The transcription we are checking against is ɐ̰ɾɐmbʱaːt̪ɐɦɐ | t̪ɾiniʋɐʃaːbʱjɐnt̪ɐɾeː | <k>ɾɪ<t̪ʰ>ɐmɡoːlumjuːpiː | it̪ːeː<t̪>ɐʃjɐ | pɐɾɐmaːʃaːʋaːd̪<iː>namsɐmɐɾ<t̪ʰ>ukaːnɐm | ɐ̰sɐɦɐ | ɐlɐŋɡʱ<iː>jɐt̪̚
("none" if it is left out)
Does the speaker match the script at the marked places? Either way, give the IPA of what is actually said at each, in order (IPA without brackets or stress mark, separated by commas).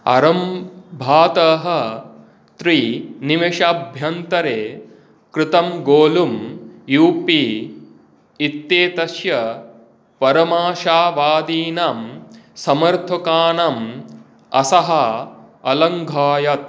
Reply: k, t̪, t̪, iː, t̪ʰ, aː